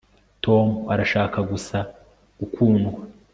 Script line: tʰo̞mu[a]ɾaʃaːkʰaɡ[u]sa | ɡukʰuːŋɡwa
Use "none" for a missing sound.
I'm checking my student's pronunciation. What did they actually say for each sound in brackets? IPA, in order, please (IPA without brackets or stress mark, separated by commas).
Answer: a, u